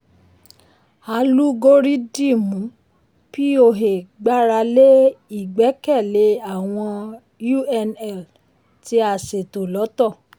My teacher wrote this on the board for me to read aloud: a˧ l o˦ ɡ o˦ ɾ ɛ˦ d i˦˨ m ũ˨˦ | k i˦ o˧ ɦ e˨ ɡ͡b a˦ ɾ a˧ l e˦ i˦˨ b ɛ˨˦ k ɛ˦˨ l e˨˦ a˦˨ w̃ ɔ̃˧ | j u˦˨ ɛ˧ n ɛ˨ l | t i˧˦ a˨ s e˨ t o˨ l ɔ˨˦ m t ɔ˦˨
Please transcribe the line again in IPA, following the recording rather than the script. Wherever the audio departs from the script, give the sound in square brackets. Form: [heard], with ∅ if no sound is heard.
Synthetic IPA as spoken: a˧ l [u˦] ɡ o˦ ɾ [i˦] d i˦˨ m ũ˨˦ | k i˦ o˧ ɦ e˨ ɡ͡b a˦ ɾ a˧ l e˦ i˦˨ [ɡ͡b] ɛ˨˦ k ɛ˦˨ l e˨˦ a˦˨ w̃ ɔ̃˧ | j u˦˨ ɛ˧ n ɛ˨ l | t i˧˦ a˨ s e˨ t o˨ l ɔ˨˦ [∅] t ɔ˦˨